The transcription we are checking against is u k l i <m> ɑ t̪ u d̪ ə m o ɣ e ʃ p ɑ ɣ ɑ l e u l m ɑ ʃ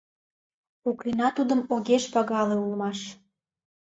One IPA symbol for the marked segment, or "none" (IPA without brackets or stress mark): n